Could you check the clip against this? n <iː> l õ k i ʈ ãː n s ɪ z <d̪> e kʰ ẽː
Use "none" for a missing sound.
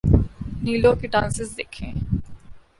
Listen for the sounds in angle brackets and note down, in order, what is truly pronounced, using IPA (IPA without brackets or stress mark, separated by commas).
iː, d̪